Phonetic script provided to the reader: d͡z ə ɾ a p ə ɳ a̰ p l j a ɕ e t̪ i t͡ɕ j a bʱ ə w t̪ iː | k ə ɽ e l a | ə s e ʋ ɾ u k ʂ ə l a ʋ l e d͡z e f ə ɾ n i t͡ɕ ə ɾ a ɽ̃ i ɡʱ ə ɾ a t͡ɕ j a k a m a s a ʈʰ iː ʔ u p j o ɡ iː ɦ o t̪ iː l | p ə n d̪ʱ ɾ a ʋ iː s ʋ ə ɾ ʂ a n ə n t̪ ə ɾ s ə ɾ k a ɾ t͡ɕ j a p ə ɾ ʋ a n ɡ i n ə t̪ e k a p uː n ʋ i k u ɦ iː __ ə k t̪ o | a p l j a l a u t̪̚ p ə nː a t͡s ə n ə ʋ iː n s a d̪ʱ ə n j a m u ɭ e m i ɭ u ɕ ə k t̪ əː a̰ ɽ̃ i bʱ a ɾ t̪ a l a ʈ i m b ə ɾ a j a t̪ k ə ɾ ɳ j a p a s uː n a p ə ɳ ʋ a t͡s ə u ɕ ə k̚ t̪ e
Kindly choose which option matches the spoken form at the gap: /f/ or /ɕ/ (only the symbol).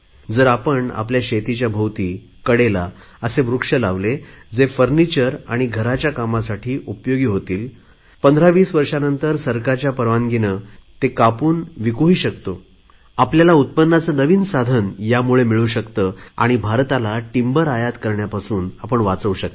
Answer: ɕ